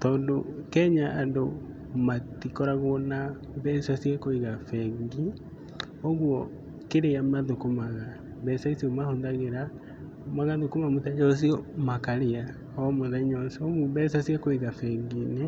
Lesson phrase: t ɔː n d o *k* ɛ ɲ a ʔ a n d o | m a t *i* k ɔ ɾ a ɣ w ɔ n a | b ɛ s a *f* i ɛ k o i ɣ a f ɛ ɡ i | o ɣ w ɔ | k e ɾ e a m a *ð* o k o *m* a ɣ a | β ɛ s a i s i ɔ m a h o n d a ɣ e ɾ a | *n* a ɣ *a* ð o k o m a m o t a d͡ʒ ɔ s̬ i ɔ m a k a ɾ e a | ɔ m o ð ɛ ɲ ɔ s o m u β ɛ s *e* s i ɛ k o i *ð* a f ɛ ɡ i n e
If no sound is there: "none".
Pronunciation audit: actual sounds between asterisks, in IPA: k, i, s, ð, m, m, a, a, ɣ

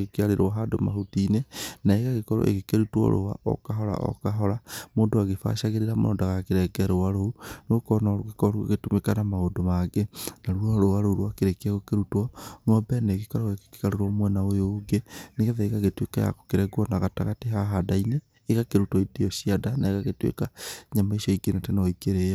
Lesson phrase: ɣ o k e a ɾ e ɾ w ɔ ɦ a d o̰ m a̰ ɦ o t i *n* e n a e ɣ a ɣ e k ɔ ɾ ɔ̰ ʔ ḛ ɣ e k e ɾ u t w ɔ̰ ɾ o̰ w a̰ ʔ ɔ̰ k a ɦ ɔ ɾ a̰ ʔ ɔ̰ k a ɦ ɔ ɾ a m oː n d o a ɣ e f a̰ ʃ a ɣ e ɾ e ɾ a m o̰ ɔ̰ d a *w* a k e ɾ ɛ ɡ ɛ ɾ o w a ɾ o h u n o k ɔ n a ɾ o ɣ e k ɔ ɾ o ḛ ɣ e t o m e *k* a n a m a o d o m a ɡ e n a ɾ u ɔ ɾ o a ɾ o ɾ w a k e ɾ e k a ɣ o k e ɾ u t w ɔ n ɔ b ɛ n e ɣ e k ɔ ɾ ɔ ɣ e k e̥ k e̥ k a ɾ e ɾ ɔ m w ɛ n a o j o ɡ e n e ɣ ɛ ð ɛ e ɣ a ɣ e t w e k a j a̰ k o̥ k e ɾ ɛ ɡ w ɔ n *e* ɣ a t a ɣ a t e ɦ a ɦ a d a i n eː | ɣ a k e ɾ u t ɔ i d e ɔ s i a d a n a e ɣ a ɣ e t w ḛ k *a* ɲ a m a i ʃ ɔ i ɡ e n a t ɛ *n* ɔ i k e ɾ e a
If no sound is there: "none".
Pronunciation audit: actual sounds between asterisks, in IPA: n, ɣ, k, a, a, n

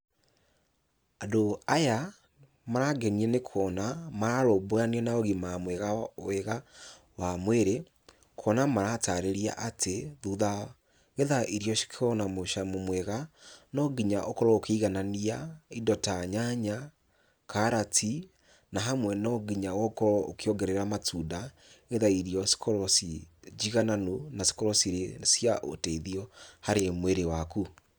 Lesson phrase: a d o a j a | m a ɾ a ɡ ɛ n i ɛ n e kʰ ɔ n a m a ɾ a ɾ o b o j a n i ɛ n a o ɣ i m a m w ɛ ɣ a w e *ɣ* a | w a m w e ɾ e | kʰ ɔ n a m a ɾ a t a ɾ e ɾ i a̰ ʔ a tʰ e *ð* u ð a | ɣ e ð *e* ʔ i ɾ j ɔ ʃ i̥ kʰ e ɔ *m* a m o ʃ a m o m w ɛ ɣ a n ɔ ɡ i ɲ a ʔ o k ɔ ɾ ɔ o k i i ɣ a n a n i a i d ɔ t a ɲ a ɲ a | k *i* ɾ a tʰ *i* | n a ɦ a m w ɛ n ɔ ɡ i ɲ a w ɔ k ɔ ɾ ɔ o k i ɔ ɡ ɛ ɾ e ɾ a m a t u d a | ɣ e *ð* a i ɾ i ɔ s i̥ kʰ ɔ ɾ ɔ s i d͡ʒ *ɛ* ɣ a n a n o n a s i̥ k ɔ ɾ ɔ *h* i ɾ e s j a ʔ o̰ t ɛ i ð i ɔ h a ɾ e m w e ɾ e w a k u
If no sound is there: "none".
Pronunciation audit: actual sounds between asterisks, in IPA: ɣ, ð, a, n, a, i, ð, i, s

